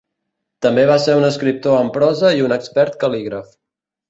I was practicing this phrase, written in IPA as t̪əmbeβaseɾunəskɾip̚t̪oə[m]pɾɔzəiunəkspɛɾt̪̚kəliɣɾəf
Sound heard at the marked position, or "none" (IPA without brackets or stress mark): m